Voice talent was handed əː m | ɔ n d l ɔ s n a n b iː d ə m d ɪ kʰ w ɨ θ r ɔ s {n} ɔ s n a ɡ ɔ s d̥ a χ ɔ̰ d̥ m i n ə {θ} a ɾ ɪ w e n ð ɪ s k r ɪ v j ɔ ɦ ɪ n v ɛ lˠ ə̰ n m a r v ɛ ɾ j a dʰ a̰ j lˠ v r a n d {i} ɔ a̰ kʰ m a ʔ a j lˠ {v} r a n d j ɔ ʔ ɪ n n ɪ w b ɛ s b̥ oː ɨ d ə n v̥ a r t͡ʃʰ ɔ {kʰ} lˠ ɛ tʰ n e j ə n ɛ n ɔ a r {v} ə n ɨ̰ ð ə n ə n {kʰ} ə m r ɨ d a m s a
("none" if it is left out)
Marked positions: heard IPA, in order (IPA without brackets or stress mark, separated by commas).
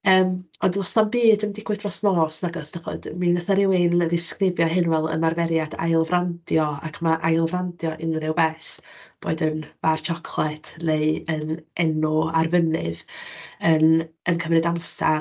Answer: n, θ, j, v, kʰ, v, kʰ